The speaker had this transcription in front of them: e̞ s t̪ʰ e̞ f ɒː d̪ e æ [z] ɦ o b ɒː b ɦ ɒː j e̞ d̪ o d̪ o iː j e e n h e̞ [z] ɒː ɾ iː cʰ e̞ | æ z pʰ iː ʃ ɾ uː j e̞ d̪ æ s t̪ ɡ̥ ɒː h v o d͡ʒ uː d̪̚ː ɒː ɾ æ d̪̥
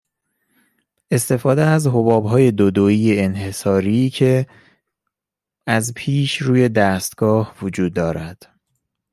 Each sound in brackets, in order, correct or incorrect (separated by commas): correct, incorrect